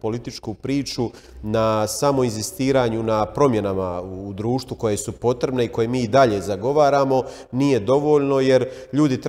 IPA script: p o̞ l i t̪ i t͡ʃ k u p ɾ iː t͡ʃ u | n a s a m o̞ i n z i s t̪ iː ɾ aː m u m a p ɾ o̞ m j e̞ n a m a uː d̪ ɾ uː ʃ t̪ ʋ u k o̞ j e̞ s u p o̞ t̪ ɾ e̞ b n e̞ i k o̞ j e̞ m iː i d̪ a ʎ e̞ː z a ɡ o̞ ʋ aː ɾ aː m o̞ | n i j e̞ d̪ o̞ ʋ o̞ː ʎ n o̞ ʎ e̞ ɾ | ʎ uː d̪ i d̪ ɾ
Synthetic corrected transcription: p o̞ l i t̪ i t͡ʃ k u p ɾ iː t͡ʃ u | n a s a m o̞ i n z i s t̪ iː ɾ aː ɲ u n a p ɾ o̞ m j e̞ n a m a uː d̪ ɾ uː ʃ t̪ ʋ u k o̞ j e̞ s u p o̞ t̪ ɾ e̞ b n e̞ i k o̞ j e̞ m iː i d̪ a ʎ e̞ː z a ɡ o̞ ʋ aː ɾ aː m o̞ | n i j e̞ d̪ o̞ ʋ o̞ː ʎ n o̞ j e̞ ɾ | ʎ uː d̪ i t̪ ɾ